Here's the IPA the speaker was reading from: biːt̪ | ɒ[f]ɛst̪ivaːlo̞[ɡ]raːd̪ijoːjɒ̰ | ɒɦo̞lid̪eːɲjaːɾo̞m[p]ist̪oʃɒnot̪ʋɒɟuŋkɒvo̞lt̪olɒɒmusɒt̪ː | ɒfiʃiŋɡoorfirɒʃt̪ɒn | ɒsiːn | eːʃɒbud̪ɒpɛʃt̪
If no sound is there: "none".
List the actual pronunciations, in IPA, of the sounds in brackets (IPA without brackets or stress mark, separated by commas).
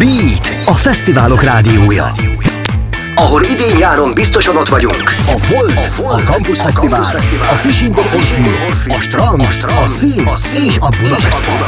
f, k, b